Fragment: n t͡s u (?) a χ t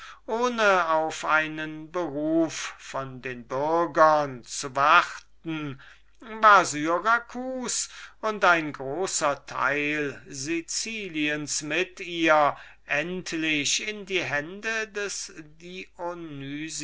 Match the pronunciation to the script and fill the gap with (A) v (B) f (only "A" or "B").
A